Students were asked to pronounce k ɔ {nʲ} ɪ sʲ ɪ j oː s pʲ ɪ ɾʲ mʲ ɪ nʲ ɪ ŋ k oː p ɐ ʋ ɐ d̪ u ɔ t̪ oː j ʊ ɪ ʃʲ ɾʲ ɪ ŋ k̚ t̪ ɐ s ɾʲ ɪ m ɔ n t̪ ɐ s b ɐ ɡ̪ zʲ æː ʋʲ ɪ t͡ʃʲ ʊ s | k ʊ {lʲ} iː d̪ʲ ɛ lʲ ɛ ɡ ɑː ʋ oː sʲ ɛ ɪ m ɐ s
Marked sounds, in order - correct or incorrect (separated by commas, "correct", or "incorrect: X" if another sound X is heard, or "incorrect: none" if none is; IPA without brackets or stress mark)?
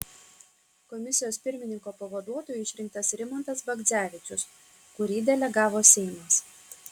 incorrect: mʲ, incorrect: ɾʲ